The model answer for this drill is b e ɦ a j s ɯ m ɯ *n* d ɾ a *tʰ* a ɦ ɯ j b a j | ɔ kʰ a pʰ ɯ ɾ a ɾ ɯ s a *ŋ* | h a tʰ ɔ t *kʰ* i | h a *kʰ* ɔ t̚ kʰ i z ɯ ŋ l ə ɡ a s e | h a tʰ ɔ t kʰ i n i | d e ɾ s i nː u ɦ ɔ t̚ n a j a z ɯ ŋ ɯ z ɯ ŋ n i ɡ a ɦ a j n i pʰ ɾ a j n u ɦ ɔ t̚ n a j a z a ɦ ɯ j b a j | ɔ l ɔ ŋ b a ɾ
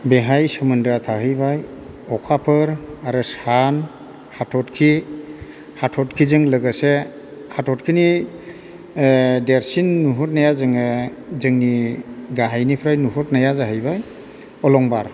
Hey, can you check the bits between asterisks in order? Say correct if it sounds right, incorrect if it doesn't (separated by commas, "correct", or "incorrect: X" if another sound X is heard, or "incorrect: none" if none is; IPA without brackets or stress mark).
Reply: correct, correct, incorrect: n, correct, incorrect: tʰ